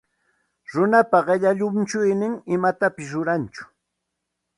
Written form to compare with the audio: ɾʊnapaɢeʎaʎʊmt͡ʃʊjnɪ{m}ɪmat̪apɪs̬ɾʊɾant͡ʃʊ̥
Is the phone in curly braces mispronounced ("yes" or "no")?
yes